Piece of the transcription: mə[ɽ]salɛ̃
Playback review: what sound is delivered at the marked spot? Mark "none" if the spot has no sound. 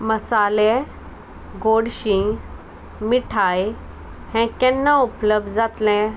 none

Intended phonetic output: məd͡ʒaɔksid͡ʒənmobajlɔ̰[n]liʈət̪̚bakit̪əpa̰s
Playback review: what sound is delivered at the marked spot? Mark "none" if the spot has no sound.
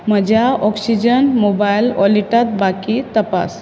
none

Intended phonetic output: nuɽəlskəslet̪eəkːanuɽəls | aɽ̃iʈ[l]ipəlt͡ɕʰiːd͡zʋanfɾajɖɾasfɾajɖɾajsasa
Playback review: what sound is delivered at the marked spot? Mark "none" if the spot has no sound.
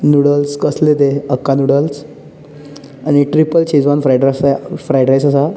ɾ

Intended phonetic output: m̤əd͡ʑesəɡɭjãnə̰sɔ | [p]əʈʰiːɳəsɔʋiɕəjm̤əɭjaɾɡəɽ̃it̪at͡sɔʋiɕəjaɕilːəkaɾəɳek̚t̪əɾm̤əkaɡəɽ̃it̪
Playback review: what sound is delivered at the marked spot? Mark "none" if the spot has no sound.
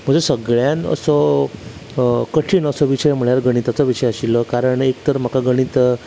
k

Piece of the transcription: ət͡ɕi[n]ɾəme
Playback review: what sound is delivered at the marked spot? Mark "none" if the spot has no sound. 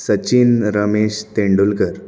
n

